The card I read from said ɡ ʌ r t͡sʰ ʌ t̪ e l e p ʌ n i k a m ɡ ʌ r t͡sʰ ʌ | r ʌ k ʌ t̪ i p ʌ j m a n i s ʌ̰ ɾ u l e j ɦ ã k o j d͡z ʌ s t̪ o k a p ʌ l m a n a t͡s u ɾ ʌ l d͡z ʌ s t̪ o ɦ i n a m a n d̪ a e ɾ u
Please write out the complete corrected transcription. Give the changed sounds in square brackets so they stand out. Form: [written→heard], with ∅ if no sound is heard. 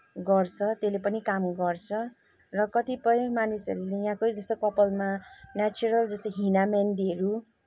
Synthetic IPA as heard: ɡ ʌ r t͡sʰ ʌ t̪ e l e p ʌ n i k a m ɡ ʌ r t͡sʰ ʌ | r ʌ k ʌ t̪ i p ʌ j m a n i s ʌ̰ ɾ u l e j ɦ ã k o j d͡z ʌ s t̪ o k [a→ʌ] p ʌ l m a n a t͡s u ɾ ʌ l d͡z ʌ s t̪ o ɦ i n a m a n d̪ [a→i] e ɾ u